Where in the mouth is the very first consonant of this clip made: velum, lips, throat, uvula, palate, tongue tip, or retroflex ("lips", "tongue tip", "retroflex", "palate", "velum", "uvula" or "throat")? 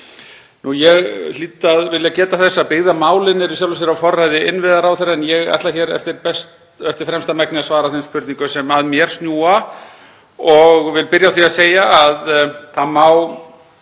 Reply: tongue tip